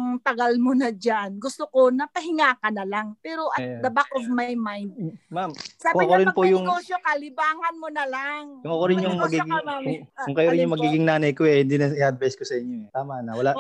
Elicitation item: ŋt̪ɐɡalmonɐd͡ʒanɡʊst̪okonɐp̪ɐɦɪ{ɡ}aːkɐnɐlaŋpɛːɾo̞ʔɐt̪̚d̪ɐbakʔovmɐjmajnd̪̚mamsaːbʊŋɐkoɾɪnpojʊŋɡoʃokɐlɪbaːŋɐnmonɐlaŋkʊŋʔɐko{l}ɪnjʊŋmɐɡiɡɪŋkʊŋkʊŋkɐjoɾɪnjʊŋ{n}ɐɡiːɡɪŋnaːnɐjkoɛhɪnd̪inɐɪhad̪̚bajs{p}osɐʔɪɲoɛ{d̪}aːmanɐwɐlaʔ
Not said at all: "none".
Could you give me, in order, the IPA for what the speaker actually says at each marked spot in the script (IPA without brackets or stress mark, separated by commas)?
ŋ, ɾ, m, k, t̪